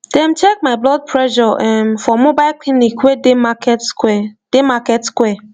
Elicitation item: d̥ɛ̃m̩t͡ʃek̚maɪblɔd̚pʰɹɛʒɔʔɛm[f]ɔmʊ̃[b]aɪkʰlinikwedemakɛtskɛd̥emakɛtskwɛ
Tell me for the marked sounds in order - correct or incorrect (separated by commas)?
correct, correct